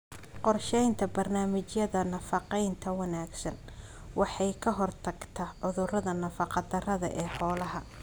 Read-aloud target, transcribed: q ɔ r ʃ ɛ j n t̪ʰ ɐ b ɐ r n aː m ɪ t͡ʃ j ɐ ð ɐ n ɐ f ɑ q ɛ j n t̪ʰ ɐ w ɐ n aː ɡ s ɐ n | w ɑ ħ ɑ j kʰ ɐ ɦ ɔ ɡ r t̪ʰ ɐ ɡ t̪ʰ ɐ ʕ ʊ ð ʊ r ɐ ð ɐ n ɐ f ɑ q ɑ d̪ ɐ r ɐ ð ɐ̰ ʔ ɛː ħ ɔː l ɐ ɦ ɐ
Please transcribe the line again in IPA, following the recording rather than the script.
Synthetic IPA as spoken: q ɔ r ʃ ɛ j n t̪ʰ ɐ b ɐ r n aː m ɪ t͡ʃ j ɐ ð ɐ n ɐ f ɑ q ɛ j n t̪ʰ ɐ w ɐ n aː ɡ s ɐ n | w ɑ ħ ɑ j kʰ ɐ ɦ ɔ r t̪ʰ ɐ ɡ t̪ʰ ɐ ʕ ʊ ð ʊ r ɐ ð ɐ n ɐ f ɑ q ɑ d̪ ɐ r ɐ ð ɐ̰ ʔ ɛː ħ ɔː l ɐ ɦ ɐ